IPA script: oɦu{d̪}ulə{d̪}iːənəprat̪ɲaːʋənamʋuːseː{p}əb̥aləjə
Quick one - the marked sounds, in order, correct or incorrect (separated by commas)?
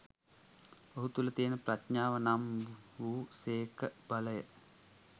incorrect, incorrect, incorrect